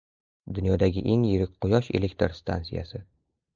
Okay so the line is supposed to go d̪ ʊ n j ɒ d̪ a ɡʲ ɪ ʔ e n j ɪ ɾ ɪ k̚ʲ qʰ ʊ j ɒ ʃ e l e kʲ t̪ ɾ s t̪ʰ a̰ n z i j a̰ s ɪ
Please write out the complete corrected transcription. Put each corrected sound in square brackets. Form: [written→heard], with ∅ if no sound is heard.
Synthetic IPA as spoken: d̪ ʊ n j ɒ d̪ a ɡʲ ɪ ʔ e [n→ŋ] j ɪ ɾ ɪ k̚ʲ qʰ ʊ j ɒ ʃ e l e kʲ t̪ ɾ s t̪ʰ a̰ n [z→s] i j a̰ s ɪ